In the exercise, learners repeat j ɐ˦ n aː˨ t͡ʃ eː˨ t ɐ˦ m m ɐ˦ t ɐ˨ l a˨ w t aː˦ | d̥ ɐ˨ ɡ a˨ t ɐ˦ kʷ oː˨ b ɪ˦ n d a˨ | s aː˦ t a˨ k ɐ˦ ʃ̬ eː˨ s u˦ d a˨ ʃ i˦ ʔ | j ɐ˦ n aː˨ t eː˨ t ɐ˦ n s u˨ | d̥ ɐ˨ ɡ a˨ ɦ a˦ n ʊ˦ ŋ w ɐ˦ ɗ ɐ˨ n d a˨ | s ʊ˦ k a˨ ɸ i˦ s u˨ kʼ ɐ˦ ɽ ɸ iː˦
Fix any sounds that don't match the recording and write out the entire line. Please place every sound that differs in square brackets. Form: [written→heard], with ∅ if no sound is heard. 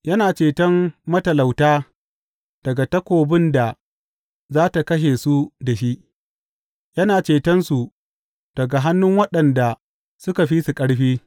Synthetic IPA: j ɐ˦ n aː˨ t͡ʃ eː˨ t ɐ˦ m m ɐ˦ t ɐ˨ l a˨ w t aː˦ | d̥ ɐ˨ ɡ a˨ t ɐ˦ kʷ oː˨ b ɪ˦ n d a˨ | [s→z] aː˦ t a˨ k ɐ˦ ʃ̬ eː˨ s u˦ d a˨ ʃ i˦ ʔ | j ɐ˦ n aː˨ [t→t͡ʃ] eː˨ t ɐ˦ n s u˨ | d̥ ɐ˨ ɡ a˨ ɦ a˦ [n→nː] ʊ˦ ŋ w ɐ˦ ɗ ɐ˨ n d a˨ | s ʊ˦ k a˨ ɸ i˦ s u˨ kʼ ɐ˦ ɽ ɸ iː˦